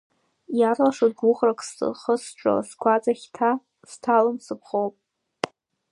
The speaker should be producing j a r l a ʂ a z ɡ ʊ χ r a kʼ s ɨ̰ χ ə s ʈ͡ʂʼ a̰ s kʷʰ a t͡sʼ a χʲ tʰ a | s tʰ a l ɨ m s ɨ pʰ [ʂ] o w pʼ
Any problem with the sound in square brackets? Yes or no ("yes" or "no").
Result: yes